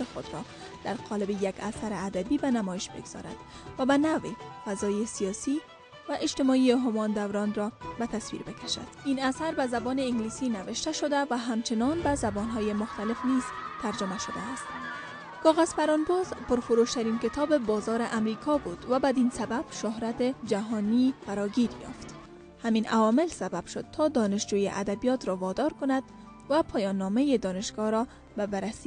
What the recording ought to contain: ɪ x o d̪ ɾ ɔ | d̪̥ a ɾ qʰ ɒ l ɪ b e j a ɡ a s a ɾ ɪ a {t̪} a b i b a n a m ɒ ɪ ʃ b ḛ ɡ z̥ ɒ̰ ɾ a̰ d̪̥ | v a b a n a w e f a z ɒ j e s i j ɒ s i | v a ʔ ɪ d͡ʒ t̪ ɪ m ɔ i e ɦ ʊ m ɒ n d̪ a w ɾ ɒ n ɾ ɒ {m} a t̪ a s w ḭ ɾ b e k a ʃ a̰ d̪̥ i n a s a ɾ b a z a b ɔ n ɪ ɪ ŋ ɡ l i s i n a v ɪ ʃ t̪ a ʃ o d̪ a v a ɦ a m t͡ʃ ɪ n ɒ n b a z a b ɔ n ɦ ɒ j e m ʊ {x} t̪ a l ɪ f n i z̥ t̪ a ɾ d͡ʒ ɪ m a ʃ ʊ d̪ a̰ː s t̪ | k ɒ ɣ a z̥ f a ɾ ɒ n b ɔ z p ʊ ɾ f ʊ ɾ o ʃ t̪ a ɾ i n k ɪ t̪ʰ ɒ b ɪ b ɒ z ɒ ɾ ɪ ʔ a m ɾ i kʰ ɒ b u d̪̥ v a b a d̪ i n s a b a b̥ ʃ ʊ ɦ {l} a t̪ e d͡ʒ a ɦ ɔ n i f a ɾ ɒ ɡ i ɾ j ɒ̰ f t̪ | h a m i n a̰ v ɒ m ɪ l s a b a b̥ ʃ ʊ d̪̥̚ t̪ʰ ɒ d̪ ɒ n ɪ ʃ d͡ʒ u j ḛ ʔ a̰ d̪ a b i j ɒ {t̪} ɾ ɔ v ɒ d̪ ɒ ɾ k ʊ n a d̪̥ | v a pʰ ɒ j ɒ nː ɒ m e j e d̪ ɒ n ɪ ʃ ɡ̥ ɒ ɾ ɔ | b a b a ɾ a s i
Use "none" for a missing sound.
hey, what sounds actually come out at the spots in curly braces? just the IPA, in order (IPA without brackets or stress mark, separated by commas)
d̪, b, x, ɾ, t̪